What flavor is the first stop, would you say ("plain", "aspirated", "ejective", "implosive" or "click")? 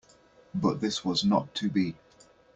plain